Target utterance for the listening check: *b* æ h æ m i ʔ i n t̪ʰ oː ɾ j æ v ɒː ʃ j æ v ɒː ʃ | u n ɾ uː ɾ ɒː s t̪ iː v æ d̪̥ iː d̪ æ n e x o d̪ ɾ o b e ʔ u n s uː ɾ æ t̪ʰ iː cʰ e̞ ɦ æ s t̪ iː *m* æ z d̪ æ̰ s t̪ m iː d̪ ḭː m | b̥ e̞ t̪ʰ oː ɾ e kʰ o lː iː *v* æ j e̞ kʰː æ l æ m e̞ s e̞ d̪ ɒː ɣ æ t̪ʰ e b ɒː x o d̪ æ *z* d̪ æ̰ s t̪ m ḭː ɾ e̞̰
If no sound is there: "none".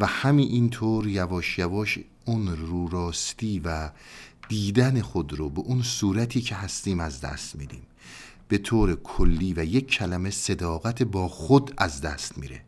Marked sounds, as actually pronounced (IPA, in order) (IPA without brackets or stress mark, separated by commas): v, m, v, z